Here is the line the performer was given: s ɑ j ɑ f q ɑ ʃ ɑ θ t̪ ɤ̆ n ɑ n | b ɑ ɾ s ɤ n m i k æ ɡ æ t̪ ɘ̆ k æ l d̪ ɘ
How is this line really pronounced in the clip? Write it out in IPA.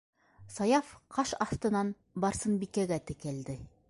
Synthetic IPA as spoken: s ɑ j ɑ f q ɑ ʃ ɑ f t̪ ɤ̆ n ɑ n | b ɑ ɾ s ɤ n b i k æ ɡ æ t̪ ɘ̆ k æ l d̪ ɘ